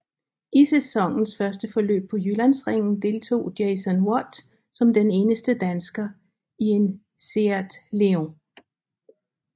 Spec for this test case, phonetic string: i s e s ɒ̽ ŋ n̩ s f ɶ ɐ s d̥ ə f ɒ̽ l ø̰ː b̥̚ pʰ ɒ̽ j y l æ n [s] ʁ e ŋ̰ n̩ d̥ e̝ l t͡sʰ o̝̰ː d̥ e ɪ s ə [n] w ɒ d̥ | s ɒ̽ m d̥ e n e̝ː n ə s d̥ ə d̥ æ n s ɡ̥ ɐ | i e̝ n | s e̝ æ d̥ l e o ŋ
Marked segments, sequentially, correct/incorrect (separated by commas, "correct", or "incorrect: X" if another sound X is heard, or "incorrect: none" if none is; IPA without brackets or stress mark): correct, correct